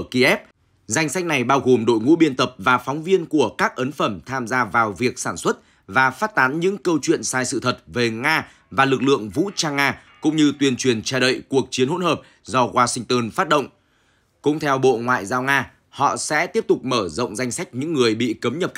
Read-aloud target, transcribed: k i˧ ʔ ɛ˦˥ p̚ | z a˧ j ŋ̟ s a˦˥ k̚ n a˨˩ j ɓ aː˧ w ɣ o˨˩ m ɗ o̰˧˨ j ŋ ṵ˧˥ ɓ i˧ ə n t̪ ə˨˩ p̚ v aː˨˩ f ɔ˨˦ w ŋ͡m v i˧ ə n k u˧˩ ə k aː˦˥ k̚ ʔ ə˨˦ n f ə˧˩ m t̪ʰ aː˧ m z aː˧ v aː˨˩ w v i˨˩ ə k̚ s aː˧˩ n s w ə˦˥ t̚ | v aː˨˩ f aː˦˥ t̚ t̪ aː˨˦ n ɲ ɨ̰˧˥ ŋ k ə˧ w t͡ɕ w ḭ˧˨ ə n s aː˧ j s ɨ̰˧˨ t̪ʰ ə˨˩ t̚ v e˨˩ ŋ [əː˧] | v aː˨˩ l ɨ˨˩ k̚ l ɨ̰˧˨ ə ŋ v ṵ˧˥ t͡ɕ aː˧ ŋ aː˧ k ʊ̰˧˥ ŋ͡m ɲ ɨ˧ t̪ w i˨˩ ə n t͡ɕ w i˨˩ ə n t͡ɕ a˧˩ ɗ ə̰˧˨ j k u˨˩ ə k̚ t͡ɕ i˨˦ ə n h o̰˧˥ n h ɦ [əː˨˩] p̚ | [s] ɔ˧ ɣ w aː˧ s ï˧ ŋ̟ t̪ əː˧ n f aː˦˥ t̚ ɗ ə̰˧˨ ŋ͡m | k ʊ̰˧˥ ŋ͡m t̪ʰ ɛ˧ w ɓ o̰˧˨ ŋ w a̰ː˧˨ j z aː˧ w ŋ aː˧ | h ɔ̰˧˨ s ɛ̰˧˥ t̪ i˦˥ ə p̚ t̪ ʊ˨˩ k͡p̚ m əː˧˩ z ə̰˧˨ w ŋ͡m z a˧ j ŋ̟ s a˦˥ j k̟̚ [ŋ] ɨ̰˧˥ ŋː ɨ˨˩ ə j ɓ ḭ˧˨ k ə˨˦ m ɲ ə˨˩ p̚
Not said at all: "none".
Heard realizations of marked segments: aː˧, əː˨˩, z, ɲ

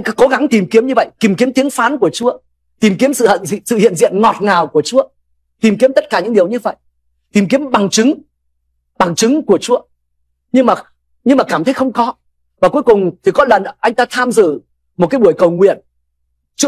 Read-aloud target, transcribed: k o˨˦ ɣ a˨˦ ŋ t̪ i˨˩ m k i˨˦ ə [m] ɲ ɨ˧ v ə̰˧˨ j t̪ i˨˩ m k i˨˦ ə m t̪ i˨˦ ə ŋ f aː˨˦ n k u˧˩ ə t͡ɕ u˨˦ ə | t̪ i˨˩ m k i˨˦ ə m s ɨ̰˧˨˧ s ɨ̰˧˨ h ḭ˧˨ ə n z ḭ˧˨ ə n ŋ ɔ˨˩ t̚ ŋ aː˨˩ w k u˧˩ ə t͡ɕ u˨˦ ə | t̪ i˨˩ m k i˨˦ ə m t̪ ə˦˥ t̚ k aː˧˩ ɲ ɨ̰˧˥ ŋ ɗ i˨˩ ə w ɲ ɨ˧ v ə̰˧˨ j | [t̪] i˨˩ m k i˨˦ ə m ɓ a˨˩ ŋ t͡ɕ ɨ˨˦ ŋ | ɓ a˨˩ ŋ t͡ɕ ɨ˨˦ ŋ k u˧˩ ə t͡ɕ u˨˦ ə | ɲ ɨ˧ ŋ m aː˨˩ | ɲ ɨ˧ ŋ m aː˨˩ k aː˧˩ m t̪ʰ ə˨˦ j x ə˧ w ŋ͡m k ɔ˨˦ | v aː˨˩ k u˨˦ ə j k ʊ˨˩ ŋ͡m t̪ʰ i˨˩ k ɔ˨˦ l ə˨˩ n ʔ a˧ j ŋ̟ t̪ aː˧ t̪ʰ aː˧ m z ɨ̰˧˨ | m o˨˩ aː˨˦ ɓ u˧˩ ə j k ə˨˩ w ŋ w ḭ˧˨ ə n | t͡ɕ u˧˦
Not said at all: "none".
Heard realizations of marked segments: m, t̪

